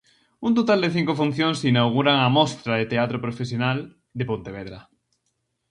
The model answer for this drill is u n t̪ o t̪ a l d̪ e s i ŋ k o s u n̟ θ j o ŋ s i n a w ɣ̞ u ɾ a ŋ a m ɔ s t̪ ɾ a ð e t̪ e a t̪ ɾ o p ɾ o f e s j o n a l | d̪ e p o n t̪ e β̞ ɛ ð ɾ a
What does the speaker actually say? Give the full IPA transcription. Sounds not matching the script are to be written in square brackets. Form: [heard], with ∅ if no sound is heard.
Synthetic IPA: u n t̪ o t̪ a l d̪ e [θ] i ŋ k o [f] u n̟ θ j o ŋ s i n a w ɣ̞ u ɾ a ŋ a m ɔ s t̪ ɾ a ð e t̪ e a t̪ ɾ o p ɾ o f e s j o n a l | d̪ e p o n t̪ e β̞ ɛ ð ɾ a